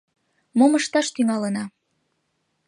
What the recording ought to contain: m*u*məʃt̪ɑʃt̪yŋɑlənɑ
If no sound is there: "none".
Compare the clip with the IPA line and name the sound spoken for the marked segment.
o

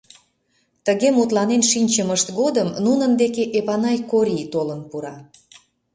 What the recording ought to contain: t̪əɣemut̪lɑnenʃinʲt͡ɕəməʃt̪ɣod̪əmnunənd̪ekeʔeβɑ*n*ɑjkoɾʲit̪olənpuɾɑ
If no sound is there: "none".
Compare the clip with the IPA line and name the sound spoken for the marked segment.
n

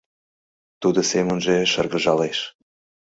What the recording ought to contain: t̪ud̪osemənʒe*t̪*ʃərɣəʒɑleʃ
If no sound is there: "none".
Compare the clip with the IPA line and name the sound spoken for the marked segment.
none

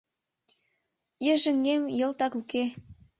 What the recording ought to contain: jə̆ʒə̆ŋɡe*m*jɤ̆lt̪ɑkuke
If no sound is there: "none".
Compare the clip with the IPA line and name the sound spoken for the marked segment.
m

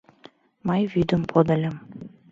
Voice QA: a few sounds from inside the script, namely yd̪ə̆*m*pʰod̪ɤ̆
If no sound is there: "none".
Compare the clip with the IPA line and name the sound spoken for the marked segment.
m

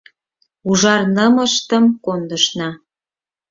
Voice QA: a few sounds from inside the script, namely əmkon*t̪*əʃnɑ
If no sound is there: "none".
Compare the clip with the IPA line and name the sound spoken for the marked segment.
d̪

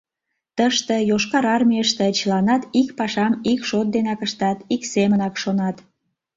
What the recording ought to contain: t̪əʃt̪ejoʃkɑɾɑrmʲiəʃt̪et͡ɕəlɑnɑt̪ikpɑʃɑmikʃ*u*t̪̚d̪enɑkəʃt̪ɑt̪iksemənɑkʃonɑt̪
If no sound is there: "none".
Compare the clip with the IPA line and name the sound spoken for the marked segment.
o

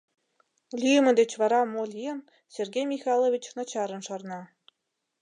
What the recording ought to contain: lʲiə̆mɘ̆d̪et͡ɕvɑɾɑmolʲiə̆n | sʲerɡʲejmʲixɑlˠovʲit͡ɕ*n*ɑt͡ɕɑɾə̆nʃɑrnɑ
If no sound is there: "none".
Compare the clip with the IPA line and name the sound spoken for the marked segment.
n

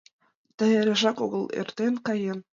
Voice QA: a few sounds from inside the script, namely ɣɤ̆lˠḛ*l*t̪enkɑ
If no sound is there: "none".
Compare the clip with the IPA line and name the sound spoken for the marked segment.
r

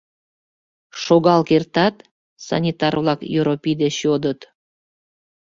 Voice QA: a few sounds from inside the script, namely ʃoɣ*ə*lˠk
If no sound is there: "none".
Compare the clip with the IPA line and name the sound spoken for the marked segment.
ɑ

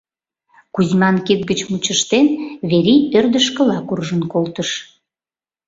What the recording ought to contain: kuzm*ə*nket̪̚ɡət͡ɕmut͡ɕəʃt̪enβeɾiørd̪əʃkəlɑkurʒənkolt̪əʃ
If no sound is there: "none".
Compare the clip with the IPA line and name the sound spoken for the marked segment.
ɑ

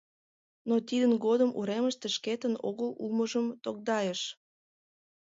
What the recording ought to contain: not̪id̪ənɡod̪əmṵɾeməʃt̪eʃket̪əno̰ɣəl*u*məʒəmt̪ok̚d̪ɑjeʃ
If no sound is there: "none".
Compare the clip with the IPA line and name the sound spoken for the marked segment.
u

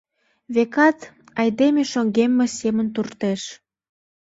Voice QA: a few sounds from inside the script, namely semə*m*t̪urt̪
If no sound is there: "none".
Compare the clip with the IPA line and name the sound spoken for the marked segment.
n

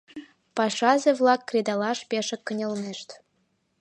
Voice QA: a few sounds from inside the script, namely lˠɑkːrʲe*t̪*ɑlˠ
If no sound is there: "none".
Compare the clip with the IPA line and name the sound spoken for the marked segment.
d̪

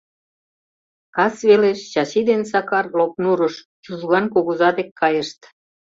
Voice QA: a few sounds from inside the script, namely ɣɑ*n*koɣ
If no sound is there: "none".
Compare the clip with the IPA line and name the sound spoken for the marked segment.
n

